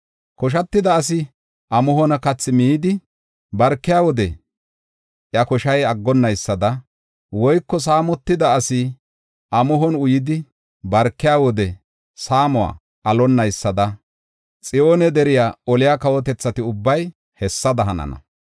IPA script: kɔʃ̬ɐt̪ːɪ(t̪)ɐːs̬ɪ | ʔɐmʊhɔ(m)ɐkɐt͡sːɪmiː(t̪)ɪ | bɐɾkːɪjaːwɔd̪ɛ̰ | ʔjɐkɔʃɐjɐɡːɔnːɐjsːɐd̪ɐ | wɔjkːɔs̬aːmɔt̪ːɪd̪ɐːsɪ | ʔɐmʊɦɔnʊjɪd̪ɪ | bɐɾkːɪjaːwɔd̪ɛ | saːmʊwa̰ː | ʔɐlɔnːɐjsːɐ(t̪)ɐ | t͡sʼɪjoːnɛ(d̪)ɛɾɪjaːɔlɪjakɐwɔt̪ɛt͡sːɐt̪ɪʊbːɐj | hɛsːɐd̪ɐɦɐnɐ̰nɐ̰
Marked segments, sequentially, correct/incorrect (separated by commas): incorrect, incorrect, incorrect, incorrect, correct